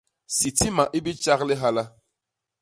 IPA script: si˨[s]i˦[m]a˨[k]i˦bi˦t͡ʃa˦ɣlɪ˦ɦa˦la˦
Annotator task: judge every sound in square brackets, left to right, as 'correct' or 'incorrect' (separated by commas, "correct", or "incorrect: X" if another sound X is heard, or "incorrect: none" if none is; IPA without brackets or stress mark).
incorrect: t, correct, incorrect: ʔ